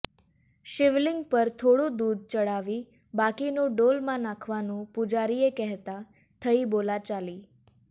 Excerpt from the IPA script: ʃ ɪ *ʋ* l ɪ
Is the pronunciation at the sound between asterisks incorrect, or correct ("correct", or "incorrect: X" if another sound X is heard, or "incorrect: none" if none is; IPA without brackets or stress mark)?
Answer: correct